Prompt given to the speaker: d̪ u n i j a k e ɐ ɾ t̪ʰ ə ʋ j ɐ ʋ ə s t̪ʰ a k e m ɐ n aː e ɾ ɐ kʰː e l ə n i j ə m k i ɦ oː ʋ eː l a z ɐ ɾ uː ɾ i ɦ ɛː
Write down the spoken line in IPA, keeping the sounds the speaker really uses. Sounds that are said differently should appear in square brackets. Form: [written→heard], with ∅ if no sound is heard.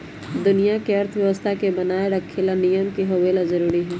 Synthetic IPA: d̪ [u→ʊ] n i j a k e ɐ ɾ t̪ʰ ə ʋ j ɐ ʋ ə s t̪ʰ a k e [m→b] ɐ n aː e ɾ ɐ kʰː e l [ə→a] n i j ə m k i ɦ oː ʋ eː l a z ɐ ɾ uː ɾ i ɦ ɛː